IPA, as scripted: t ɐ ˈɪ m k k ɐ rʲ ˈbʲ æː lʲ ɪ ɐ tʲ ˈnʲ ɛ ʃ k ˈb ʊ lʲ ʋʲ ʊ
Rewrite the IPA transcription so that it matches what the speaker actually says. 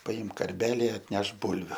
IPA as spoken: p ɐ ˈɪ m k k ɐ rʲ ˈbʲ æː lʲ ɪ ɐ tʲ ˈnʲ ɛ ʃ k ˈb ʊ lʲ ʋʲ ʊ